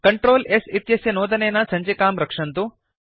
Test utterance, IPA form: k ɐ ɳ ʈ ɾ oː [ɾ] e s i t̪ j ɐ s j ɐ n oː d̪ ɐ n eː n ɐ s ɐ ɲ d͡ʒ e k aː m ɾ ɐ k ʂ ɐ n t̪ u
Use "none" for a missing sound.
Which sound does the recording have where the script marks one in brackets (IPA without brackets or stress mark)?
l